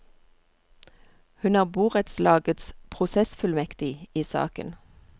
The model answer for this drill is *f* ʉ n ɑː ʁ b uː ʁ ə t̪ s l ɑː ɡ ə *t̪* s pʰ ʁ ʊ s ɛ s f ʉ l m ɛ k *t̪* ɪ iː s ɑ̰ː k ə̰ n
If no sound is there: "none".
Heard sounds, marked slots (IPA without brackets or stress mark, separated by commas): h, t̪, t̪